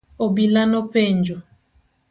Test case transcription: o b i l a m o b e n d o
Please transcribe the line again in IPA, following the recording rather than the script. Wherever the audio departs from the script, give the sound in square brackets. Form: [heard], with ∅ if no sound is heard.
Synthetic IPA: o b i l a [n] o [p] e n [d͡ʒ] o